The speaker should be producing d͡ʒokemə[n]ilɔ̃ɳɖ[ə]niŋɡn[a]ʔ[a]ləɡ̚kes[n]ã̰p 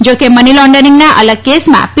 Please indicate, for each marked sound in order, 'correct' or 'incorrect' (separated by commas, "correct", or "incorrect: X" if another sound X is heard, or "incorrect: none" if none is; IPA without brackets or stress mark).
correct, correct, correct, incorrect: ə, incorrect: m